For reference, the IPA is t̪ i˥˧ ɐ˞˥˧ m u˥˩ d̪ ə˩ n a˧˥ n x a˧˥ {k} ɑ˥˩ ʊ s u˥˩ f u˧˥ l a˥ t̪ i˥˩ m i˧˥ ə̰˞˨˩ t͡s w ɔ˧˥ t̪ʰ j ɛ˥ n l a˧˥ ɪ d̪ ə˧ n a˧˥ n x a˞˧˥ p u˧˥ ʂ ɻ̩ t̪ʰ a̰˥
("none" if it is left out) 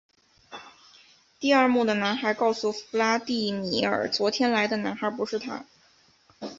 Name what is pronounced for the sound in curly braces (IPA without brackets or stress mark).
k